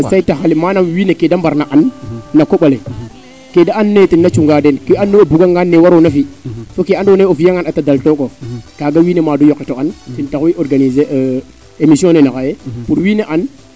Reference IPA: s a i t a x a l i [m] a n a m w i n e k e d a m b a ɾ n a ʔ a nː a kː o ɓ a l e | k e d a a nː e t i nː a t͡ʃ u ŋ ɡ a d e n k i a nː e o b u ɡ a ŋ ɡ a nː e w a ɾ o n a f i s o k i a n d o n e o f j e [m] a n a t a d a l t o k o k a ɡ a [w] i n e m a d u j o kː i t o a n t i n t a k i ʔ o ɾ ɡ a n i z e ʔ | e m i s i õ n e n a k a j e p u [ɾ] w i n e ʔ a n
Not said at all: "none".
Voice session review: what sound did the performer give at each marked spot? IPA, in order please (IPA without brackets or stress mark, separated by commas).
m, ŋ, w, ɾ